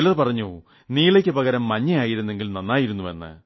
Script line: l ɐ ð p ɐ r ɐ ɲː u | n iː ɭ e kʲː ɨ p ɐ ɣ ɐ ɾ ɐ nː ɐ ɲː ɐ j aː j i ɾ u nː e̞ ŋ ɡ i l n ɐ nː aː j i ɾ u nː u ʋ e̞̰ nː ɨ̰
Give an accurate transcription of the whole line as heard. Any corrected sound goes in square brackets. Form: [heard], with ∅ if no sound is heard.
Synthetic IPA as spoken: l ɐ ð p ɐ r ɐ ɲː u | n iː ɭ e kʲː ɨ p ɐ ɣ ɐ ɾ ɐ [mː] ɐ ɲː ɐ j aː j i ɾ u nː e̞ ŋ ɡ i l n ɐ nː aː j i ɾ u nː u ʋ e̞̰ nː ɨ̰